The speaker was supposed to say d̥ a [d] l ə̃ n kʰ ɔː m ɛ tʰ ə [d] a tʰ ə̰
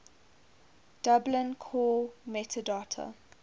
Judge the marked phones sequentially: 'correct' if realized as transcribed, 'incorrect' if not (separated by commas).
incorrect, correct